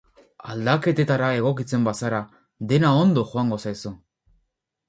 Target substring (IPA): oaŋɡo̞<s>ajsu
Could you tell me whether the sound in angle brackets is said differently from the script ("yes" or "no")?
no